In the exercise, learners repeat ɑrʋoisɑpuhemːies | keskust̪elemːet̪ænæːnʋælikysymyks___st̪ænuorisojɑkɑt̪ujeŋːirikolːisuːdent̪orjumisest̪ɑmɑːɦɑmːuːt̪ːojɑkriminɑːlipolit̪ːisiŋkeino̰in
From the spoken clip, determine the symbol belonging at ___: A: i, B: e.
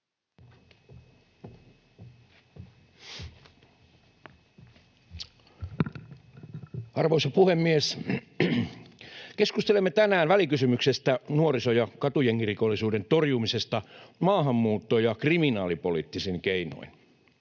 B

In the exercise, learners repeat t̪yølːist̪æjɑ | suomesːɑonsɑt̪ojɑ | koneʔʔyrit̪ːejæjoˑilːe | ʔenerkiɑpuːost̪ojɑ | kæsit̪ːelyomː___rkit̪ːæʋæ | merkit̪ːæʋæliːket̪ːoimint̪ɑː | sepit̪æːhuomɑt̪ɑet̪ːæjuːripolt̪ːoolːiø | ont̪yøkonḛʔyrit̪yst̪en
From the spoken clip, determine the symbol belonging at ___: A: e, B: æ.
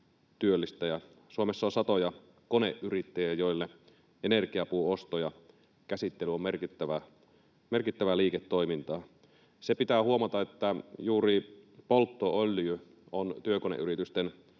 A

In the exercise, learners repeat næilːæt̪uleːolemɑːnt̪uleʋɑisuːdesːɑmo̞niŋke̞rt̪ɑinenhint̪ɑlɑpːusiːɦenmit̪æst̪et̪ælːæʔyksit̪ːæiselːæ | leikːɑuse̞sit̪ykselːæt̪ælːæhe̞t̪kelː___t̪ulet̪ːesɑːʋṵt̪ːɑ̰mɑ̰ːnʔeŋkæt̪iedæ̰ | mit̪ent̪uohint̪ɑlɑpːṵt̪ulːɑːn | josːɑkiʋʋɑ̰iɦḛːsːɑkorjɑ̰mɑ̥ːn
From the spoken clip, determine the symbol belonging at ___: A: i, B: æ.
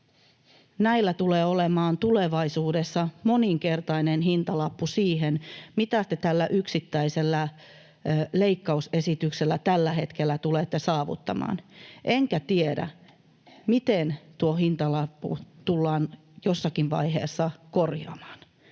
B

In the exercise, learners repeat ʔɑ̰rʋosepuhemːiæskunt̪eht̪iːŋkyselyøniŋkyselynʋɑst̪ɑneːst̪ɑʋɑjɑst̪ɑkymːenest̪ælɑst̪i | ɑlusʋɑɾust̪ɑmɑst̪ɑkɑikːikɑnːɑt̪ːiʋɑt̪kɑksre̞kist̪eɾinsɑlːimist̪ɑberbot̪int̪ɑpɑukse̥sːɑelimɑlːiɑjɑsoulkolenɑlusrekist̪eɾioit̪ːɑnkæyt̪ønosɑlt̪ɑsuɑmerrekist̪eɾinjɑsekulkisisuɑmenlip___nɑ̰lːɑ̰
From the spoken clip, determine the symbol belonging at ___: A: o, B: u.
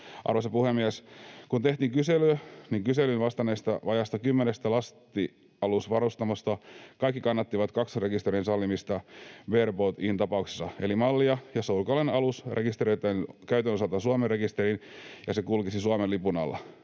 B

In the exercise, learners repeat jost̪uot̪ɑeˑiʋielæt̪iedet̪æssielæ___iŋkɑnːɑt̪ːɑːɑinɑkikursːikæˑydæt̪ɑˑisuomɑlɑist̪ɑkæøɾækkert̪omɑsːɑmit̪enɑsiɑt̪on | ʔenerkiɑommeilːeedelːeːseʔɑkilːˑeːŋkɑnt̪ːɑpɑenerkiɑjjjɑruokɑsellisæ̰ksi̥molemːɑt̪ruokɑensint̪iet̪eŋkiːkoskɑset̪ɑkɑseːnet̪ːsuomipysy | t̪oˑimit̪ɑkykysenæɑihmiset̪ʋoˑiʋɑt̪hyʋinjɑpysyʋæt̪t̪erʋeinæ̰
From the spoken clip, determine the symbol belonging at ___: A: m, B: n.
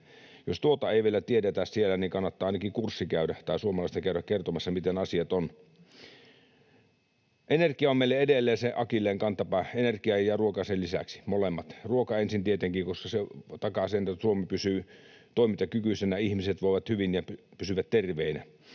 B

